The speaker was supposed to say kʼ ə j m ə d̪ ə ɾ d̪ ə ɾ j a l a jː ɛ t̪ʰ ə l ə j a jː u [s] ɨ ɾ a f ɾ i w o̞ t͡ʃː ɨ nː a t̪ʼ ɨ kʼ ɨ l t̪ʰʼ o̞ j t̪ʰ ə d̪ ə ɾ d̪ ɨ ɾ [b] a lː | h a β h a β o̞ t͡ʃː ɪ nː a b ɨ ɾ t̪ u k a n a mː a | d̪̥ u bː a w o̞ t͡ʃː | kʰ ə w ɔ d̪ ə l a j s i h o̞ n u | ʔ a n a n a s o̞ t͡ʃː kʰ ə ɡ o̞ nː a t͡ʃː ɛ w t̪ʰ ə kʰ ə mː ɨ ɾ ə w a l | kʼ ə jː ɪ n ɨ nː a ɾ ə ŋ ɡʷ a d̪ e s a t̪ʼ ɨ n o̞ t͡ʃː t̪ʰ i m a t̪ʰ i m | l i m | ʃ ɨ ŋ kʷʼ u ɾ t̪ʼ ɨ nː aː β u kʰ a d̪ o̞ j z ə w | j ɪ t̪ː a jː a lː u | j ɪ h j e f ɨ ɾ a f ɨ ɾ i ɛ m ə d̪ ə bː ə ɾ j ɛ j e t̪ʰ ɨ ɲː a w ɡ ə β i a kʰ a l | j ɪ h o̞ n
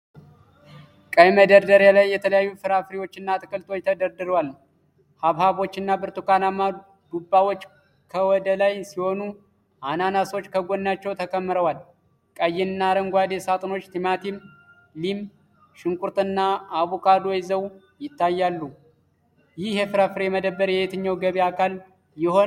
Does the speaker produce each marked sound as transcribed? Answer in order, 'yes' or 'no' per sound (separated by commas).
no, no